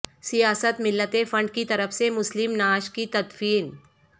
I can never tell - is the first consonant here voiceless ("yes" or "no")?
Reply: yes